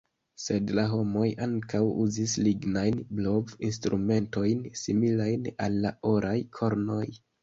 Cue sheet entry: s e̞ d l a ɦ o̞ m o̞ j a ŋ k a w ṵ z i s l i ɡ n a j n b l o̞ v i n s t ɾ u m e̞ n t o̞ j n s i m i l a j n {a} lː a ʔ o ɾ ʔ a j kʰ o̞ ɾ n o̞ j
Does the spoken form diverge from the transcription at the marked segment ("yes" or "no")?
no